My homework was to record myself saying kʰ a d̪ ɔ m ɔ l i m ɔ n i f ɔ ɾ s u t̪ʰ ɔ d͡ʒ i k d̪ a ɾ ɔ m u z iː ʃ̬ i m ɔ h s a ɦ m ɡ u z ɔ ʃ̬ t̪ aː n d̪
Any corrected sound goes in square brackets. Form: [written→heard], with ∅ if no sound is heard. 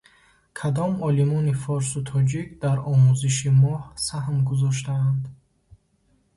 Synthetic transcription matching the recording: kʰ a d̪ ɔ m ɔ l i m ɔ n i f ɔ ɾ s u t̪ʰ ɔ d͡ʒ i k d̪ a ɾ ɔ m u z [iː→i] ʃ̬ i m ɔ h s a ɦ m ɡ u z ɔ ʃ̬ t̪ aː n d̪